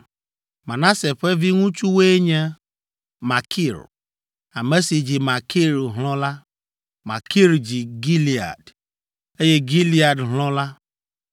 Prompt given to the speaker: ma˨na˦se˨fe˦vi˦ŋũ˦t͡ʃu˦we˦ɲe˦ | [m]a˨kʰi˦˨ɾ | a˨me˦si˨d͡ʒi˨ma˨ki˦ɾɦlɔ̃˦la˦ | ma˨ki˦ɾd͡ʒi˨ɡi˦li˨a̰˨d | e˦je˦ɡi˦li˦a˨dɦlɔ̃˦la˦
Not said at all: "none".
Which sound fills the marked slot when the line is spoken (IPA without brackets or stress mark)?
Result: m